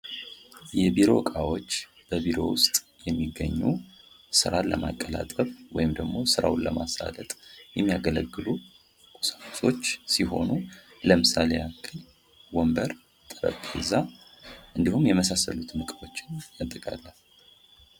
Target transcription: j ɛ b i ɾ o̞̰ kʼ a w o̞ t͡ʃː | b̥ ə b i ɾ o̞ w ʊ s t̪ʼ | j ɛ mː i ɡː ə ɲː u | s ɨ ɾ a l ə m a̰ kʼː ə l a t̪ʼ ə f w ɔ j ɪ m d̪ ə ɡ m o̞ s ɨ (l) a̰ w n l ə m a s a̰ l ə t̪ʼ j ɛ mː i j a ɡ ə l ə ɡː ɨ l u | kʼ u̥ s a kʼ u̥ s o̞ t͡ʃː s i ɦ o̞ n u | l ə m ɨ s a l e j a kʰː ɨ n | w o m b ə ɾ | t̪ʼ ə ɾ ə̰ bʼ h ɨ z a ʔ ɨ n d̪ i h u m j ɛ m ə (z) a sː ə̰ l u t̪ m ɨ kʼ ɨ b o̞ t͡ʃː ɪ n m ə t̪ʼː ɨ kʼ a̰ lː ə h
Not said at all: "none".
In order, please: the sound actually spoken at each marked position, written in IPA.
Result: ɾ, s

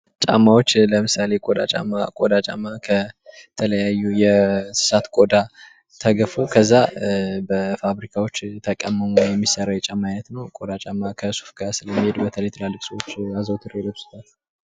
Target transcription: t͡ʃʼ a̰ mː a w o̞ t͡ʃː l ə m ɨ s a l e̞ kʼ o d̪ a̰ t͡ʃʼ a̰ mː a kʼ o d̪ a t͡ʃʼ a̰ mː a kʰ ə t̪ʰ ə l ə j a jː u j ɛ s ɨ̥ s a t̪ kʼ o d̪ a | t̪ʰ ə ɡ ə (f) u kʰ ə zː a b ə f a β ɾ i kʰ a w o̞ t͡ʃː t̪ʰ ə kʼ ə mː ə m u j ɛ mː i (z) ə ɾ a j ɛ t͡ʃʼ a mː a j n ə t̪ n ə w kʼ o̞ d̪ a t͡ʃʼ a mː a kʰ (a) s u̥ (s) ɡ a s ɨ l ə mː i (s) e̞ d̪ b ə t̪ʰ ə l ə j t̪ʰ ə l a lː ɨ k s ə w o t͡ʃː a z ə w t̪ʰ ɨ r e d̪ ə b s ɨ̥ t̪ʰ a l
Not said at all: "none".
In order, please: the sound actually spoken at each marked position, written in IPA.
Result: f, s, ə, f, h

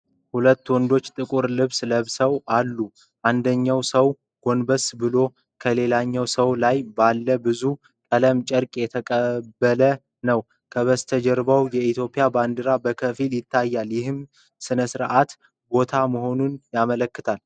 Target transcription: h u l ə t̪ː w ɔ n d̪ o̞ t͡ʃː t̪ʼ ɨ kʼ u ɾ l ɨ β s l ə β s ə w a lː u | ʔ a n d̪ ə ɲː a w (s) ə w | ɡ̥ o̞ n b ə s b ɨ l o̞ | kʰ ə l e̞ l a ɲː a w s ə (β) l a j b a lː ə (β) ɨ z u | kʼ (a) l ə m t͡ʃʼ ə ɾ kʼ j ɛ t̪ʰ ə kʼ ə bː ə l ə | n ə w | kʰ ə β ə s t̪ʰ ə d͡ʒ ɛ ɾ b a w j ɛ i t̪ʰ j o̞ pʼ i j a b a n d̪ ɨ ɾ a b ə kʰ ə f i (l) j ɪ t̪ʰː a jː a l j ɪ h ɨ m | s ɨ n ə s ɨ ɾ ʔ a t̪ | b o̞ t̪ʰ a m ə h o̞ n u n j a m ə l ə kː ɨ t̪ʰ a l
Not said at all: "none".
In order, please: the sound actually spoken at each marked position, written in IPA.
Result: s, w, b, ə, l

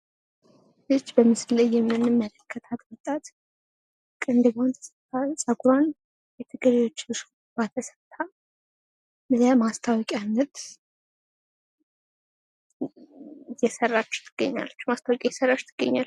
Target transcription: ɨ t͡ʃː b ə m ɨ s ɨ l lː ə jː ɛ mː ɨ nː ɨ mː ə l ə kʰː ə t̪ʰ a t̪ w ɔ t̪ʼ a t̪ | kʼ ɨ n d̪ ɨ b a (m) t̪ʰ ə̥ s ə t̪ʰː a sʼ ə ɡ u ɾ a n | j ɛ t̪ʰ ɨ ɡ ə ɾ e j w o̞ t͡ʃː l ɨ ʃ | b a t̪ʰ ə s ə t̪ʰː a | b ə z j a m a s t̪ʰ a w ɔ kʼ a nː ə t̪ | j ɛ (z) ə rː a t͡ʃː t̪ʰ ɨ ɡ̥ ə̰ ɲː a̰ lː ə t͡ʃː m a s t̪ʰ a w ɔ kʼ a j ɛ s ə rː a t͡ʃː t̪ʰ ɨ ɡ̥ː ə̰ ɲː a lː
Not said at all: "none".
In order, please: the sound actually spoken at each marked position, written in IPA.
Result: n, s

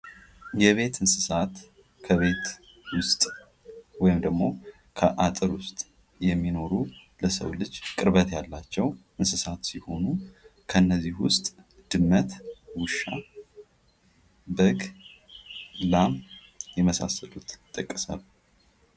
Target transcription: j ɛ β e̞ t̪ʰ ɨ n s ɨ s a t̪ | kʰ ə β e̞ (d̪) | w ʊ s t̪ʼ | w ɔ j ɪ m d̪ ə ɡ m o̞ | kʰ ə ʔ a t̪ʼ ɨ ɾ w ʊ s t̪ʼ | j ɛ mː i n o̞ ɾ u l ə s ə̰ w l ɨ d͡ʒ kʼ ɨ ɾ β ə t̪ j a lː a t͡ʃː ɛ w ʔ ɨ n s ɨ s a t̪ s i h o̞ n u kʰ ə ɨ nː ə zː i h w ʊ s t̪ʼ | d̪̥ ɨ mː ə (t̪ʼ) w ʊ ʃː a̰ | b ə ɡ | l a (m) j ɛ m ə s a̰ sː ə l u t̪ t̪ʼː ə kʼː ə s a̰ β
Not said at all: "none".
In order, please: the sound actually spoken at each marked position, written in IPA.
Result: t̪, t̪, m

